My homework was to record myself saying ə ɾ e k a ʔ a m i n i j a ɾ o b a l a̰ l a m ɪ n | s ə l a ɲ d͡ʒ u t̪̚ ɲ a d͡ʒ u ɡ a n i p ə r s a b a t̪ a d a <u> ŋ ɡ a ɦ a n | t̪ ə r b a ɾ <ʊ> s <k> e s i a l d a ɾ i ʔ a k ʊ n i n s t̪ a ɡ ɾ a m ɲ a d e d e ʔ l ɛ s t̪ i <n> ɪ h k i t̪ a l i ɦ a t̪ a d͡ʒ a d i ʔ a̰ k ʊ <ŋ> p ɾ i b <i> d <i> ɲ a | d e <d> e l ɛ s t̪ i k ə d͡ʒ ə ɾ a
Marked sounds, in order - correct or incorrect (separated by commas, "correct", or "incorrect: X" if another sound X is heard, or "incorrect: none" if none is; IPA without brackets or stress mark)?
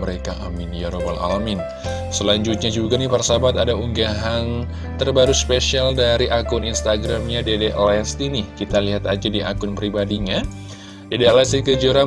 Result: correct, incorrect: u, incorrect: p, correct, incorrect: n, incorrect: a, correct, correct